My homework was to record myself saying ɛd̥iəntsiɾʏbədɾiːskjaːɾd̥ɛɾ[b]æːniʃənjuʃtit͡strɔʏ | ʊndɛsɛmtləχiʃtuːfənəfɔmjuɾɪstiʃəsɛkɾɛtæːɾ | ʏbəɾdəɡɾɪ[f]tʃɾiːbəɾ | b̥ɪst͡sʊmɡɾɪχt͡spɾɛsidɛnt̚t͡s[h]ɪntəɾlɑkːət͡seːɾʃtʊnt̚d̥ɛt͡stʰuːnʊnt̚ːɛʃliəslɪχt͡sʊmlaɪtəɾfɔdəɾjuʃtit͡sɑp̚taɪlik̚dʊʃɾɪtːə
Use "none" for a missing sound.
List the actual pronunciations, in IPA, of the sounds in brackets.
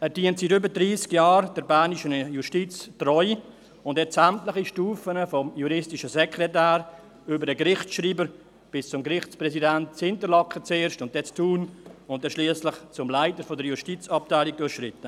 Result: b, χ, h

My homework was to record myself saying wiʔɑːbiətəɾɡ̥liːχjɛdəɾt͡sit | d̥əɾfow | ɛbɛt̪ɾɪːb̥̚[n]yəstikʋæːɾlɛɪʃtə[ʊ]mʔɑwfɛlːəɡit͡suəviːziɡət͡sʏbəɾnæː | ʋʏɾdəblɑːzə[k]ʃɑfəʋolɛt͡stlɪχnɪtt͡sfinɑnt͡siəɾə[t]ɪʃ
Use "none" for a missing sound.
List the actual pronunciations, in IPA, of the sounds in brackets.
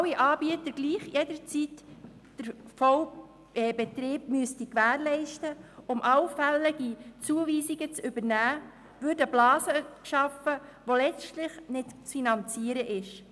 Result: m, ʊ, k, ʔ

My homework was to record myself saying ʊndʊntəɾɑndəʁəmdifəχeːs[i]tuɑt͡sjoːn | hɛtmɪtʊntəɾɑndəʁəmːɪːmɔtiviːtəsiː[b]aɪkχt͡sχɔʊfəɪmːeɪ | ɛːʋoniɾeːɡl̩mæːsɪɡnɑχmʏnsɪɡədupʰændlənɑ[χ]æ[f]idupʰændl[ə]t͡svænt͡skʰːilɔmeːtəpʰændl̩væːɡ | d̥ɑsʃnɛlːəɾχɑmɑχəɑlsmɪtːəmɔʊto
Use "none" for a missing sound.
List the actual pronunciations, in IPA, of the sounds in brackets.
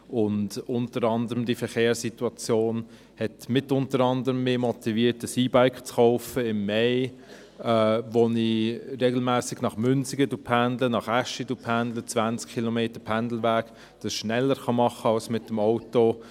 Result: i, b, χ, ʃ, ə

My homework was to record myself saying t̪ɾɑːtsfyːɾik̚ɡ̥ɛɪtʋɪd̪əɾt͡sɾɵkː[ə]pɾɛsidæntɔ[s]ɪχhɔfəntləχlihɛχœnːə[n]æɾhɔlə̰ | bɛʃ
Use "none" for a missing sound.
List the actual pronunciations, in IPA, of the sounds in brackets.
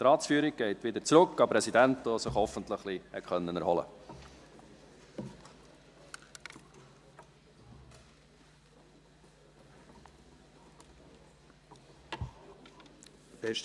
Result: ɑ, s, n

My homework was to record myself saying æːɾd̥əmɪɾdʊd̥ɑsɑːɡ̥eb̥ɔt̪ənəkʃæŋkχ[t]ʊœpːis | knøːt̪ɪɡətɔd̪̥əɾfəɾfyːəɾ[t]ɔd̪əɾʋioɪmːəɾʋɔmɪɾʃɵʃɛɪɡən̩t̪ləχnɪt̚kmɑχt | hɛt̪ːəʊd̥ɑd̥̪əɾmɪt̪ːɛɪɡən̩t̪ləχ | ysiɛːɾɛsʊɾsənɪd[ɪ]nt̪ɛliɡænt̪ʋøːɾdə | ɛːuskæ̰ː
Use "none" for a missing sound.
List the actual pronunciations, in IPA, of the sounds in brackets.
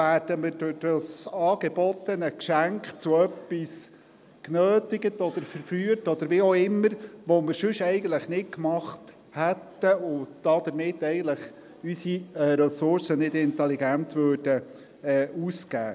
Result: t͡s, t, ɪ

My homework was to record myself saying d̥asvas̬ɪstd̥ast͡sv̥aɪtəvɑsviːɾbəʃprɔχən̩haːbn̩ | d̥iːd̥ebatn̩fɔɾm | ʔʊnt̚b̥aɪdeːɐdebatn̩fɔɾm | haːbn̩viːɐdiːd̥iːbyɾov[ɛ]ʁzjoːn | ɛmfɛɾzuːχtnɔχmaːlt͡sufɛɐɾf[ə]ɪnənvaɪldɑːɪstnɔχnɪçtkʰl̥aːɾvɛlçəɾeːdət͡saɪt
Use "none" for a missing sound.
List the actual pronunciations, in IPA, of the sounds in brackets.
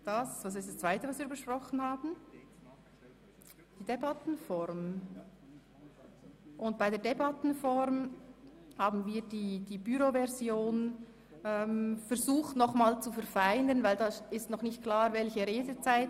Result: ɛ, a

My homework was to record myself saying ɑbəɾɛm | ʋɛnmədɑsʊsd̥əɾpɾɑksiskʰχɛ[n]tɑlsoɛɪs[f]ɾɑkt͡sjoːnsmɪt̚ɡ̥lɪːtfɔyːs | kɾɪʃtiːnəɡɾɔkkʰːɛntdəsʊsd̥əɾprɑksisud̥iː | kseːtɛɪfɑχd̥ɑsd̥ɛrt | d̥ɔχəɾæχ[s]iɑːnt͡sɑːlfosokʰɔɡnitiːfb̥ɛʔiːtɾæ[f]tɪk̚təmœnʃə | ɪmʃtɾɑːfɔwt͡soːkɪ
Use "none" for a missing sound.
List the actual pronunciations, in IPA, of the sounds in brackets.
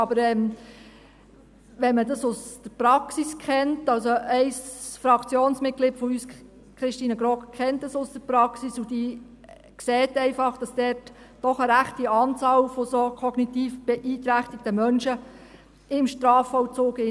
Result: n, f, t, χ

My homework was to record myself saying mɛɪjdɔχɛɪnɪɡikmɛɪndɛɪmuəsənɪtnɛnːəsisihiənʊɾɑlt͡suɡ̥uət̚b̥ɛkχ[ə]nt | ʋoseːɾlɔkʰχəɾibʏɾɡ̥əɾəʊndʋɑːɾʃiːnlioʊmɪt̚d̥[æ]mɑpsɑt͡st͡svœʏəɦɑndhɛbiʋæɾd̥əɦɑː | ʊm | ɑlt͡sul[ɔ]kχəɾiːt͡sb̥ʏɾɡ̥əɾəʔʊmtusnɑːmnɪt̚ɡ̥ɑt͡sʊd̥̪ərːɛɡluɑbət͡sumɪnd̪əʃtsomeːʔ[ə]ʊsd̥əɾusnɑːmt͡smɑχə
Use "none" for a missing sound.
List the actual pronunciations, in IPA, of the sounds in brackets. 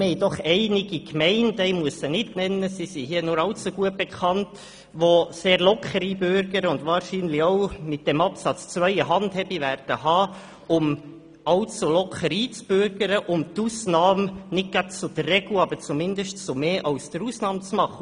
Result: ɑ, ɛ, ɔ, ɑ

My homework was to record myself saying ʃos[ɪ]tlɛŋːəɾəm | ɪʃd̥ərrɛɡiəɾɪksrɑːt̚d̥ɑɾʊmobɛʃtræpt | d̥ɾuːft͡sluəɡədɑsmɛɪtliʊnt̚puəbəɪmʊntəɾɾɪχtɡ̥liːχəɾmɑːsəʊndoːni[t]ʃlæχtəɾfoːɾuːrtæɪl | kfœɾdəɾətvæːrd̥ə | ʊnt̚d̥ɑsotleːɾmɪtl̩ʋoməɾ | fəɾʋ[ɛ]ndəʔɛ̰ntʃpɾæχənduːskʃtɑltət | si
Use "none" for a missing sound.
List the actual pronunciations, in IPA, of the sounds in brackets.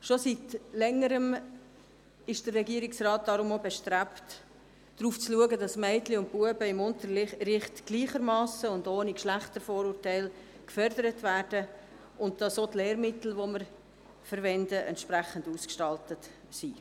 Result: i, k, ɛ

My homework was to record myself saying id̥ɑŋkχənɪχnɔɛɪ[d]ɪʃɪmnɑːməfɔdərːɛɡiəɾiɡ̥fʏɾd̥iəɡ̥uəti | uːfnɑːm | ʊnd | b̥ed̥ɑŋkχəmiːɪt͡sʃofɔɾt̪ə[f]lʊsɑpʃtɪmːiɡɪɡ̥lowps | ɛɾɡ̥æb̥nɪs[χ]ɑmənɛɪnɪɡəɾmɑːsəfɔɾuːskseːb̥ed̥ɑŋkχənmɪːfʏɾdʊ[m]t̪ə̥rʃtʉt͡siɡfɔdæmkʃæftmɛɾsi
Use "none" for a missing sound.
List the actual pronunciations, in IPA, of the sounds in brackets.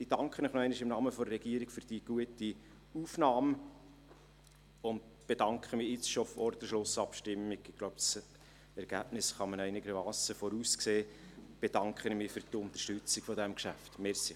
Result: n, ʃ, χ, n

